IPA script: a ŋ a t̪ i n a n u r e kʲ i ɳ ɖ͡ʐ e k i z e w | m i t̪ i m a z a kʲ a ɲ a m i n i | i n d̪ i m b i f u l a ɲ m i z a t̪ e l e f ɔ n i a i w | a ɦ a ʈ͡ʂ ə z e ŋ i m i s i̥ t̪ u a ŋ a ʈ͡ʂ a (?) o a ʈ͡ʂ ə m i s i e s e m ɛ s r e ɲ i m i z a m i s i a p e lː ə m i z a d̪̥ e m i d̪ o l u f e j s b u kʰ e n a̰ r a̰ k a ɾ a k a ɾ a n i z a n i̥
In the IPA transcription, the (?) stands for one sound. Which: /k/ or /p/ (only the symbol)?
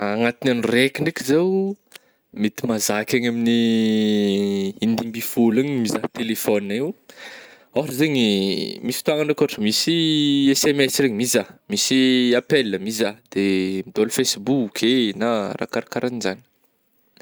k